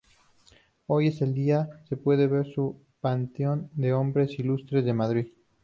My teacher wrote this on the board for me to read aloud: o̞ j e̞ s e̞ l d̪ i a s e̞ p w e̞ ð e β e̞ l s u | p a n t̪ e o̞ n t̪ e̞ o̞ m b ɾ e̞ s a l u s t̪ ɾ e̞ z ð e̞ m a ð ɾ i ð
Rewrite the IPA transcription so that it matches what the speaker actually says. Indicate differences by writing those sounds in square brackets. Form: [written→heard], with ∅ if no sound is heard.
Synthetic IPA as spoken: o̞ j e̞ s e̞ l d̪ i a s e̞ p w e̞ ð e β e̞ [l→ɾ] s u | p a n t̪ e o̞ n [t̪→d̪] e̞ o̞ m b ɾ e̞ s [a→i] l u s t̪ ɾ e̞ z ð e̞ m a ð ɾ i ð